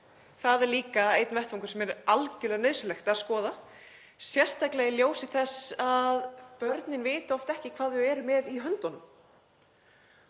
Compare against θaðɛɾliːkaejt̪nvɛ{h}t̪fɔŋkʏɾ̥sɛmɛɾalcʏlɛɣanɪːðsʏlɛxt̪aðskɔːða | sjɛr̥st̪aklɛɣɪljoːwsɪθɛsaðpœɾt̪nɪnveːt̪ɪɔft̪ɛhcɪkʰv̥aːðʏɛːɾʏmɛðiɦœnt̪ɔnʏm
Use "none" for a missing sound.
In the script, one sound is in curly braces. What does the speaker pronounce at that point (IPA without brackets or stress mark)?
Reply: h